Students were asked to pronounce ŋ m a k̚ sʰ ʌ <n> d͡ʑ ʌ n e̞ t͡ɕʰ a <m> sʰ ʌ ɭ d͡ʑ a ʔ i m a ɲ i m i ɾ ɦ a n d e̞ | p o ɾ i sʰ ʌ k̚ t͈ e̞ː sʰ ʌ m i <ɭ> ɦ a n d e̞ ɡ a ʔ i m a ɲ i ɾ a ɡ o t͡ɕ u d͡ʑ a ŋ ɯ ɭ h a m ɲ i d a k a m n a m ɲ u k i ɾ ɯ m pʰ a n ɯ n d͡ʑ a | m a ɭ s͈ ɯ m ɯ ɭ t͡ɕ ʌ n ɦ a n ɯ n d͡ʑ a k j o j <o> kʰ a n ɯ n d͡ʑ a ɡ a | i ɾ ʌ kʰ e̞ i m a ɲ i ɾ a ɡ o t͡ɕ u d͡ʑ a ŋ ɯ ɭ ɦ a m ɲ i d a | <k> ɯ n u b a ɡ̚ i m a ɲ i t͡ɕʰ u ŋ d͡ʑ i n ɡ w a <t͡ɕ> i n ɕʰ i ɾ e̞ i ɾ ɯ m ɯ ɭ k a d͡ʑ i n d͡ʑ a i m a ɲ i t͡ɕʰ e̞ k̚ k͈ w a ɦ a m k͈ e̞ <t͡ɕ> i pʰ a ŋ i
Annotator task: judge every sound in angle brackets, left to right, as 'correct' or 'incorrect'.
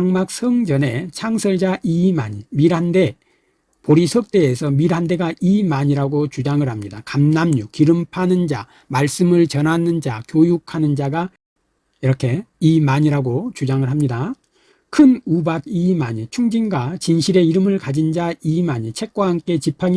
incorrect: ŋ, incorrect: ŋ, incorrect: ɾ, incorrect: u, incorrect: kʰ, correct, correct

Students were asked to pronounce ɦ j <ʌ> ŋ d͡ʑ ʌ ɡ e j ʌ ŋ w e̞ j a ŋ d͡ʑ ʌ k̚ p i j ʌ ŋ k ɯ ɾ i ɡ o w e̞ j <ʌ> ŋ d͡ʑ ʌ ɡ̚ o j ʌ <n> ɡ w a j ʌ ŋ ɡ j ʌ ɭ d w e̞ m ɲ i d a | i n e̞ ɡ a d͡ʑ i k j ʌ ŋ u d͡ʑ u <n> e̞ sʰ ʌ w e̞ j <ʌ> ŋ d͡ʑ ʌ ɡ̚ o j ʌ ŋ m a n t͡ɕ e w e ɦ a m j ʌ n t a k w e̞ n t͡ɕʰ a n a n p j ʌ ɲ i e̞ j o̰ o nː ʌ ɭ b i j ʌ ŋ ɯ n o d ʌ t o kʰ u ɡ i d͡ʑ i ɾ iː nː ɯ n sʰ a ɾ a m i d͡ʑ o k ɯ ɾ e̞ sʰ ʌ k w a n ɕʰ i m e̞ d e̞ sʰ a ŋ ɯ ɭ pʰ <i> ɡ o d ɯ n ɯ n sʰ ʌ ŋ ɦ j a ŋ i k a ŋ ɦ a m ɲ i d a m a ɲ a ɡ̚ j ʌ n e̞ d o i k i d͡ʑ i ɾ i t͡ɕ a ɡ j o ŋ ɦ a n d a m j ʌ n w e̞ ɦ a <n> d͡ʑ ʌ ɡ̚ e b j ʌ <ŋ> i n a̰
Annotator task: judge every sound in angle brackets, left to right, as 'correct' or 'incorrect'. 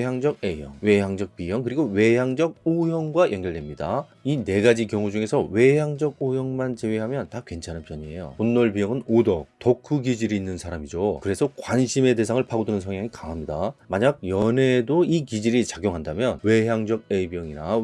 incorrect: a, incorrect: a, incorrect: ŋ, incorrect: ŋ, incorrect: a, incorrect: a, incorrect: ŋ, correct

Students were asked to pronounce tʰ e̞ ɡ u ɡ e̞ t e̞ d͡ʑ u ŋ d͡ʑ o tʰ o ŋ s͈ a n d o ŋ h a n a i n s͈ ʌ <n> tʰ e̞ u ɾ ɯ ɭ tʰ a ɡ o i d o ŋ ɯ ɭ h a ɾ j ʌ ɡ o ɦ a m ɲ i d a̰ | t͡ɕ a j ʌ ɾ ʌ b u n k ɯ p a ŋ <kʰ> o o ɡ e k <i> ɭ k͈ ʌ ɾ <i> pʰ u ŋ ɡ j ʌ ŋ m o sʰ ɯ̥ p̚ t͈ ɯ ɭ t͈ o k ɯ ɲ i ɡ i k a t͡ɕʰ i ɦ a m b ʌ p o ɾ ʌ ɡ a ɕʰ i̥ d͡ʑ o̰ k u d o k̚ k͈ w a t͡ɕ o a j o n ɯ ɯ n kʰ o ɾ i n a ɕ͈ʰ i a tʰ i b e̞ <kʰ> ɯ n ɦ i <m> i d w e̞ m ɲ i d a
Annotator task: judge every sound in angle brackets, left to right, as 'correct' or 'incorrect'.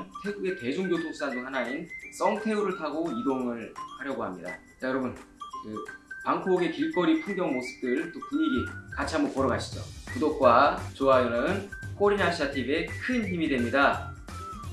incorrect: ŋ, correct, correct, correct, correct, correct

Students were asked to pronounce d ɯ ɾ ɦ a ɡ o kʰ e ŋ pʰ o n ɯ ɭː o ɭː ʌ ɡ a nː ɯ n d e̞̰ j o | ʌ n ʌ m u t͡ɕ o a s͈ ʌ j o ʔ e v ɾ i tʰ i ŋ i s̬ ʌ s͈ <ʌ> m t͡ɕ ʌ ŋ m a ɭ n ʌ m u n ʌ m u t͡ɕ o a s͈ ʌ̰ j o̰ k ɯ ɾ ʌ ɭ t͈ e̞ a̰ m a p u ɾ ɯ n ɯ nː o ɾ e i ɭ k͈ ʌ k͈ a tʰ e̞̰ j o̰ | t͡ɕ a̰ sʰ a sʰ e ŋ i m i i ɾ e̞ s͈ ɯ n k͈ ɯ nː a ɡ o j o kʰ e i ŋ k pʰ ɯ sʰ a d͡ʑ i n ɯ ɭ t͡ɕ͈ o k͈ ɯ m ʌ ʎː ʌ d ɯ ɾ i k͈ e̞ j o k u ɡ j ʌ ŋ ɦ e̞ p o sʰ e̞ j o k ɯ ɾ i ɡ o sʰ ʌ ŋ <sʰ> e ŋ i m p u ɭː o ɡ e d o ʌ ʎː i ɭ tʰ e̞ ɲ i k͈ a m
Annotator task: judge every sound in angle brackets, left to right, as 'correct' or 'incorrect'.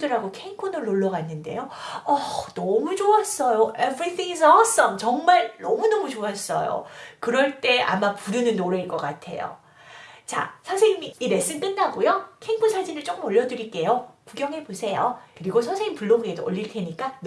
correct, correct

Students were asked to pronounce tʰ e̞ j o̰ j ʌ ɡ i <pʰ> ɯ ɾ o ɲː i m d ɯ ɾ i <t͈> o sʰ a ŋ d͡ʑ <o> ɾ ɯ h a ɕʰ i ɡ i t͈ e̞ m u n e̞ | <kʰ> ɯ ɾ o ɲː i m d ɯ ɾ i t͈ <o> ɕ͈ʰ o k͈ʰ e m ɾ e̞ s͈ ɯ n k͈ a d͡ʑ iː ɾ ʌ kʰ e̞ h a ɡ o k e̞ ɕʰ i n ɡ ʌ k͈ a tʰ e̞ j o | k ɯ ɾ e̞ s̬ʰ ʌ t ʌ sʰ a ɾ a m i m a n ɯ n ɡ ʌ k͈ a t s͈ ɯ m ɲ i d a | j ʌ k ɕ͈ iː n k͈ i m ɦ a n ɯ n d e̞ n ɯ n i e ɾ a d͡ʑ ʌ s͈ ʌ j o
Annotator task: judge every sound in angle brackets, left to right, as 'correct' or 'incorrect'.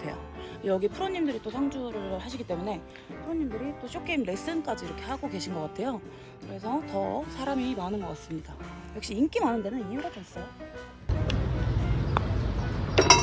correct, correct, incorrect: u, incorrect: pʰ, correct

